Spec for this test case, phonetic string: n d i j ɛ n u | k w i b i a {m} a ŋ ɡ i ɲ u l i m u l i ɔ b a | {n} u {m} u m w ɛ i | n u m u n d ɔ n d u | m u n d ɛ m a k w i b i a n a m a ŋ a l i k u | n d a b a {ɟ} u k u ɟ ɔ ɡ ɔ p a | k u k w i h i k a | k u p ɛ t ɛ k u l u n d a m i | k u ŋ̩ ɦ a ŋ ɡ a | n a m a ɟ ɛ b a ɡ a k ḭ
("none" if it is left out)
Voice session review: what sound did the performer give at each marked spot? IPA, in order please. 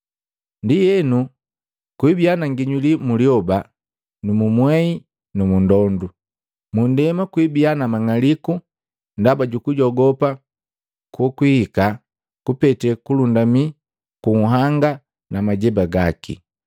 n, n, m, ɟ

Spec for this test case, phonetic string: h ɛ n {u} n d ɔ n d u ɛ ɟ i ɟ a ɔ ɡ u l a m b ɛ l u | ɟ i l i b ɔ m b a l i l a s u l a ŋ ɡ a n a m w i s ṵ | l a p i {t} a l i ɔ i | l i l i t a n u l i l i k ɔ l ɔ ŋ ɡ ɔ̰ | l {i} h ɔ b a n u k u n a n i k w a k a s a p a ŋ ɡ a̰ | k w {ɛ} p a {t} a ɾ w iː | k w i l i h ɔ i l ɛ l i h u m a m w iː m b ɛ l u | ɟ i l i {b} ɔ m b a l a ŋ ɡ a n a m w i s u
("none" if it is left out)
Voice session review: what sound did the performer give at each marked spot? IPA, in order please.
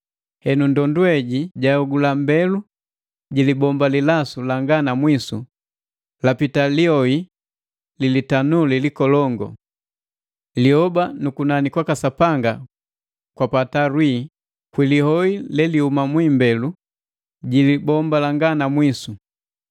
u, t, i, a, t, b

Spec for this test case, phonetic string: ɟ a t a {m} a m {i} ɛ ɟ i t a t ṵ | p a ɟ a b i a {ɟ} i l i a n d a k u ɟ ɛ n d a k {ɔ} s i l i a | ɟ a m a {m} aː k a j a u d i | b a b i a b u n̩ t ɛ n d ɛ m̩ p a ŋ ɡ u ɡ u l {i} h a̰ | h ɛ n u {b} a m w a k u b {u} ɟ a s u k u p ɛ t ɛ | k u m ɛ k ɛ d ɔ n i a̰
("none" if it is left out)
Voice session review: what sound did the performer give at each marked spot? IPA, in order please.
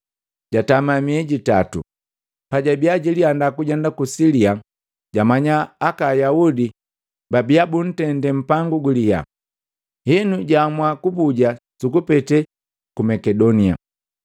m, i, ɟ, u, ɲ, i, ɟ, u

